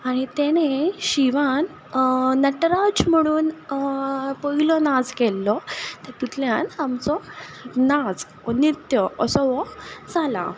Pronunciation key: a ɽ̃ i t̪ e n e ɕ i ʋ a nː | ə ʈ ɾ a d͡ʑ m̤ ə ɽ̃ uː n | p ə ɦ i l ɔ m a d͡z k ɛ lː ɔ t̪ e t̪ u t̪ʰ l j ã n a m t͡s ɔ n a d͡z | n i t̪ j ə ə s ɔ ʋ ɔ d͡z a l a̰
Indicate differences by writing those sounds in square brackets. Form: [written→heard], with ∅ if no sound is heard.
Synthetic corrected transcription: a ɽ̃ i t̪ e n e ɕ i ʋ a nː | ə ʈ ɾ a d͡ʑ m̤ ə ɽ̃ uː n | p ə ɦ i l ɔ [m→n] a d͡z k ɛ lː ɔ t̪ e t̪ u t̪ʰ l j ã n a m t͡s ɔ n a d͡z | n i t̪ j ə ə s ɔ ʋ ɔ d͡z a l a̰